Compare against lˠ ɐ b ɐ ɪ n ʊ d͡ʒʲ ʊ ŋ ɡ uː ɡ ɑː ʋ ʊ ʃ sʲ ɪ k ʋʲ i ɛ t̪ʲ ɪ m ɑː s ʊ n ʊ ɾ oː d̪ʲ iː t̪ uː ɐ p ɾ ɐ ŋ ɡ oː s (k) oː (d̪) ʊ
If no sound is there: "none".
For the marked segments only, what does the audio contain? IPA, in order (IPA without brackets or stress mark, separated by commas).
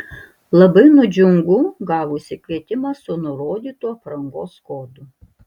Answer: k, d̪